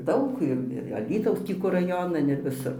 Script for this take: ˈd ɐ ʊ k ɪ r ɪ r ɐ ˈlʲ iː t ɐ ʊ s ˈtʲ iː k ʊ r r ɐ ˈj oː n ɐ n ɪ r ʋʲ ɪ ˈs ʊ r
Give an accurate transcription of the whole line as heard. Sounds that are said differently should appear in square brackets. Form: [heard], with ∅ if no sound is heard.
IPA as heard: ˈd ɐ ʊ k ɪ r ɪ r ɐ ˈlʲ iː t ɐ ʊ s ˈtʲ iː k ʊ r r ɐ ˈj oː n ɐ n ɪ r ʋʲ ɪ ˈs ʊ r